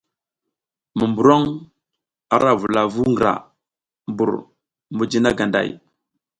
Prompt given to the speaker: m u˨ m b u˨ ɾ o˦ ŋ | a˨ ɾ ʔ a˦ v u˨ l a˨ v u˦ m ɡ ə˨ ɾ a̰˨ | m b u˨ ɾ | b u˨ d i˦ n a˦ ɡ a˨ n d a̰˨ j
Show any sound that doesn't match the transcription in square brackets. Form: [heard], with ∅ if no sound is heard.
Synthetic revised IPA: m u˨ m b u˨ ɾ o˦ ŋ | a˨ ɾ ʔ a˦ v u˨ l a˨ v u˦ [ŋ] ɡ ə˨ ɾ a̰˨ | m b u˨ ɾ | [m] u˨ [d͡ʒ] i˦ n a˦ ɡ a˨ n d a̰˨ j